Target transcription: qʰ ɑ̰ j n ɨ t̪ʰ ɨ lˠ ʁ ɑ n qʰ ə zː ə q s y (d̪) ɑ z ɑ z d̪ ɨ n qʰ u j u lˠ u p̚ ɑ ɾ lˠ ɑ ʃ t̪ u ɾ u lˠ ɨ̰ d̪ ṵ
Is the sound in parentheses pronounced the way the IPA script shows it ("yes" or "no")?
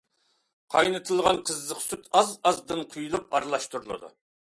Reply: no